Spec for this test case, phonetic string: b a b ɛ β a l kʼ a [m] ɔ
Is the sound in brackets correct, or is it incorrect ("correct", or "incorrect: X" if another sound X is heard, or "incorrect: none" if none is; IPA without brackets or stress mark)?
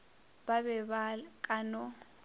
incorrect: n